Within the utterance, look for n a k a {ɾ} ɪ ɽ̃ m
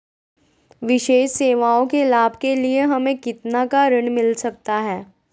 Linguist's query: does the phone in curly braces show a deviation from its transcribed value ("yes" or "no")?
no